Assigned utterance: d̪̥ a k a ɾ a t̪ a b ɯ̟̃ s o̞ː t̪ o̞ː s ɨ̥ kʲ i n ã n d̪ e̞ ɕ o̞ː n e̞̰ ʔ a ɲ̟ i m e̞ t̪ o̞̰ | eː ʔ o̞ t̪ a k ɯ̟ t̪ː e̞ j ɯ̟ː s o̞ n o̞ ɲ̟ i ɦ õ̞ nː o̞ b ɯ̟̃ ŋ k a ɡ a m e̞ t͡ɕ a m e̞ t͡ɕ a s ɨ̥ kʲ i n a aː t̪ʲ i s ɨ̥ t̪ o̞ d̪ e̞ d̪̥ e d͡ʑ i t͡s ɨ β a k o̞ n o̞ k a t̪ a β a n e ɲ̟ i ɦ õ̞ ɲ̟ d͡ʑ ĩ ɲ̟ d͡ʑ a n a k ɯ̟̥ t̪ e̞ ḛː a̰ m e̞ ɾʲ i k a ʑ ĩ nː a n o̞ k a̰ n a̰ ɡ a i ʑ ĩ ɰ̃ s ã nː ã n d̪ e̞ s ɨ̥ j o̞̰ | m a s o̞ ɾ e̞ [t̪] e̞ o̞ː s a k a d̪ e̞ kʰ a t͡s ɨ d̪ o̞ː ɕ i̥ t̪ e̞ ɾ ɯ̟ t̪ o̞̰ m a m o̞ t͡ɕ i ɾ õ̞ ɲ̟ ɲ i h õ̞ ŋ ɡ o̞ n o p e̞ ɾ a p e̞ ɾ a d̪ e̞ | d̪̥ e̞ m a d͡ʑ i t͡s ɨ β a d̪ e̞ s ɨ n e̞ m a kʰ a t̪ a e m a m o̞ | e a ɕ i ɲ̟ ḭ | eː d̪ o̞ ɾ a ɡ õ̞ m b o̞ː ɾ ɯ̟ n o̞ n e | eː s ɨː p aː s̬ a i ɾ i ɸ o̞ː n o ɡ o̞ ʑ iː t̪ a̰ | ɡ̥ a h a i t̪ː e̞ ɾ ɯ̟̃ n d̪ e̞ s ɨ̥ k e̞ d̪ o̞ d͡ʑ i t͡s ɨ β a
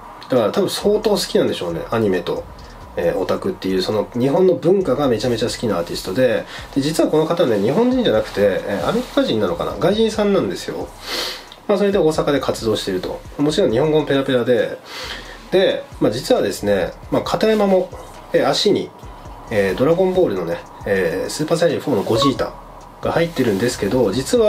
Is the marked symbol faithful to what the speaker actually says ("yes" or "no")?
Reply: no